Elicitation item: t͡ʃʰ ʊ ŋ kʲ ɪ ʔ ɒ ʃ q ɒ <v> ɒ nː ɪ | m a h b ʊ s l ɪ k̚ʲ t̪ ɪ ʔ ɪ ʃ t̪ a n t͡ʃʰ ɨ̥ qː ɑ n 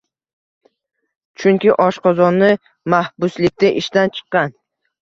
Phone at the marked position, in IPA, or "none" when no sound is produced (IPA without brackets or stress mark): z